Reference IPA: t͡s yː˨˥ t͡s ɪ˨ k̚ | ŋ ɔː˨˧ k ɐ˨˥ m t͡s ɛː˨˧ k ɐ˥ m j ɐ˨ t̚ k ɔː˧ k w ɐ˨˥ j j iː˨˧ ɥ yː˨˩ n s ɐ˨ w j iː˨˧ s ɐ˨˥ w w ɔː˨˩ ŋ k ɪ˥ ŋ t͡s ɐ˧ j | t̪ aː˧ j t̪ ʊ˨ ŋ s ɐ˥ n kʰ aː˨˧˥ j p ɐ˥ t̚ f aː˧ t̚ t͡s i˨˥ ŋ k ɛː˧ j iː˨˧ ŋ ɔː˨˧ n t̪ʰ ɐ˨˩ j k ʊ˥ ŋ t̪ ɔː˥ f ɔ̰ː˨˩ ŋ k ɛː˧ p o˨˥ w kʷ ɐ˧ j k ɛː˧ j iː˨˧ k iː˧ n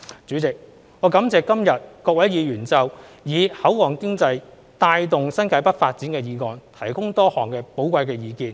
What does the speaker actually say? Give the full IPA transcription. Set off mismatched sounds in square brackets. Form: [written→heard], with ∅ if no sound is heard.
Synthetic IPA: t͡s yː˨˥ t͡s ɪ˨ k̚ | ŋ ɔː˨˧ k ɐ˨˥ m t͡s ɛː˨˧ k ɐ˥ m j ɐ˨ t̚ k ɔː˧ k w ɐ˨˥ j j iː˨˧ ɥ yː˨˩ n [s→t͡s] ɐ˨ w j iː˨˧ [s→h] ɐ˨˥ w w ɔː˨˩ ŋ k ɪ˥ ŋ t͡s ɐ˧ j | t̪ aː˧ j t̪ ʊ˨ ŋ s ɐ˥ n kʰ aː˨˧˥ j p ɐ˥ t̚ f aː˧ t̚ t͡s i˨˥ [ŋ→n] k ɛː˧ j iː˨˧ ŋ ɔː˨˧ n t̪ʰ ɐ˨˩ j k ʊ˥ ŋ t̪ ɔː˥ [f→h] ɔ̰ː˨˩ ŋ k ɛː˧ p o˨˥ w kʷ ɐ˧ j k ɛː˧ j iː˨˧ k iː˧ n